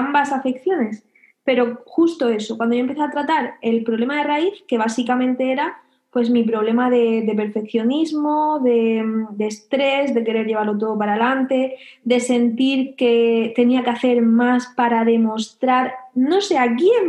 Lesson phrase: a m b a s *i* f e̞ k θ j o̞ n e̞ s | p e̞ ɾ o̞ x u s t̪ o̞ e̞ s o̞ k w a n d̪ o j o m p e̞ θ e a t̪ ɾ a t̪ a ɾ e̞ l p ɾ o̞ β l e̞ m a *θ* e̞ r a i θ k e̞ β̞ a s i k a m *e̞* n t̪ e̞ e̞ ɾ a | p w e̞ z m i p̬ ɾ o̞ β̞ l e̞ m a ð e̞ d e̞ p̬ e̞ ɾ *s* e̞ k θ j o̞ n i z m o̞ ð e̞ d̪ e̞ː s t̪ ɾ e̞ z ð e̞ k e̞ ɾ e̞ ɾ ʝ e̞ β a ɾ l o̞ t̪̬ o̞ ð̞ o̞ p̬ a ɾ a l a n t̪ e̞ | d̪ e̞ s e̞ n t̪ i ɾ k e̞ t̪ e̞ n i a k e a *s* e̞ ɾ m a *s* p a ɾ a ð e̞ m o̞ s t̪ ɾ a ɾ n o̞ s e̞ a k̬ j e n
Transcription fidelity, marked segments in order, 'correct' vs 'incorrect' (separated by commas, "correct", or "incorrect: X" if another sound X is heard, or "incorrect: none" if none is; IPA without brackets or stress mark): incorrect: a, incorrect: ð, incorrect: ẽ̞, incorrect: f, incorrect: θ, correct